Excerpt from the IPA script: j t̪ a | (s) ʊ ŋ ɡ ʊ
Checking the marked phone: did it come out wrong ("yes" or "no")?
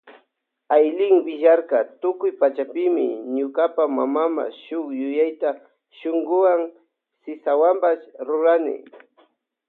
yes